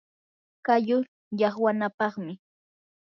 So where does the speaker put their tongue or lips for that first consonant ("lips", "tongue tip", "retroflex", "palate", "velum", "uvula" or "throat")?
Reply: velum